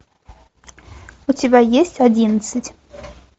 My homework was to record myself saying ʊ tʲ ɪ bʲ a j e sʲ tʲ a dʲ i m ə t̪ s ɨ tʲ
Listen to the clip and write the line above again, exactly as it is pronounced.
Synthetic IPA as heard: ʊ tʲ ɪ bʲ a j e sʲ tʲ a dʲ i n ə t̪ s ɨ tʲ